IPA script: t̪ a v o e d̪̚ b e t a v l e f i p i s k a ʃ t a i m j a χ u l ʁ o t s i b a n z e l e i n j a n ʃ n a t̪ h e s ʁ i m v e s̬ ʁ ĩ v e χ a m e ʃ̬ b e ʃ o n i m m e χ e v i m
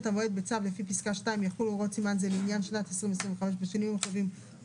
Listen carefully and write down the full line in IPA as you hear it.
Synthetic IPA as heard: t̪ a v o e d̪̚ b e t͡s a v l e f i p i s k a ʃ t a i m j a χ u l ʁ o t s i m a n z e l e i n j a n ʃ n a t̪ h e s ʁ i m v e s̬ ʁ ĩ v e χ a m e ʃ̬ b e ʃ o n i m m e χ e v i m